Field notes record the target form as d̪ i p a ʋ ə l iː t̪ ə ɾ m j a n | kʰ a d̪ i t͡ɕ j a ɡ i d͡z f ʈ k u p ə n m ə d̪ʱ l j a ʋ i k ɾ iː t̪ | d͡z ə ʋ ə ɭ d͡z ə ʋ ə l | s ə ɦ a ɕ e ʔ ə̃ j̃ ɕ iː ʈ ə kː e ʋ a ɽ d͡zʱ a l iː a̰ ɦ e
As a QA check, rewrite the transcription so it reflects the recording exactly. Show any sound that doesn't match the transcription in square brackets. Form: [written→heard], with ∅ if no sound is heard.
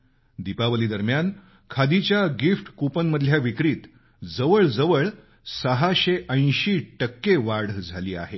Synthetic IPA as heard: d̪ i p a ʋ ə l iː [t̪→d̪] ə ɾ m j a n | kʰ a d̪ i t͡ɕ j a ɡ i [d͡z→∅] f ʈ k u p ə n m ə d̪ʱ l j a ʋ i k ɾ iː t̪ | d͡z ə ʋ ə ɭ d͡z ə ʋ ə [l→ɭ] | s ə ɦ a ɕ e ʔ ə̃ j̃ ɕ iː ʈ ə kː e ʋ a ɽ d͡zʱ a l iː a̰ ɦ e